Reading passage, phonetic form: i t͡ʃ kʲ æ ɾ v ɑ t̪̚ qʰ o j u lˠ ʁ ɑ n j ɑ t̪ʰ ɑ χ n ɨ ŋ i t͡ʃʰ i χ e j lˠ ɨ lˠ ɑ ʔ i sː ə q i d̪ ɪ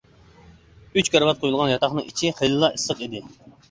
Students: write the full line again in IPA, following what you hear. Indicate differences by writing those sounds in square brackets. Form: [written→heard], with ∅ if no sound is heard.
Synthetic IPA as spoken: [i→y] t͡ʃ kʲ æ ɾ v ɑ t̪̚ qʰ o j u lˠ ʁ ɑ n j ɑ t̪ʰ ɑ χ n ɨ ŋ i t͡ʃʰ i χ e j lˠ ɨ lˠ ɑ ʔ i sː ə q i d̪ ɪ